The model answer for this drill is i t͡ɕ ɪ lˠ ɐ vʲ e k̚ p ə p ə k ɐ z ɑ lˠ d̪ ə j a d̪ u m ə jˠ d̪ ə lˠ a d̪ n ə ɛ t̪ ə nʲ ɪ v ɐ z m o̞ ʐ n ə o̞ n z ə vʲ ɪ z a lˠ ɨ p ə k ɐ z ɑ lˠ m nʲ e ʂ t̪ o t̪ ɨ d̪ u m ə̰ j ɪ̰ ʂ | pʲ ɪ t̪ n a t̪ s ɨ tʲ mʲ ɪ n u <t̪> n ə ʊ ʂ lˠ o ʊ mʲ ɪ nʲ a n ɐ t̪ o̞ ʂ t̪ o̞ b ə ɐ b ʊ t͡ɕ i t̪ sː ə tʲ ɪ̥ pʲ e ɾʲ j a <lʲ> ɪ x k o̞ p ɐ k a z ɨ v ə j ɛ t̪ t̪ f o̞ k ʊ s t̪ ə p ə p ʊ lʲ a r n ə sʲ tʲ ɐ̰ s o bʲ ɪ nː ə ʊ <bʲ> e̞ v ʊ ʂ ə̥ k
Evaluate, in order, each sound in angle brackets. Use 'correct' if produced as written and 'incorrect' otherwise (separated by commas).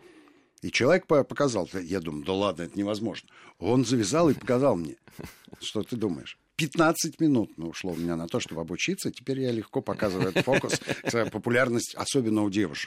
correct, correct, incorrect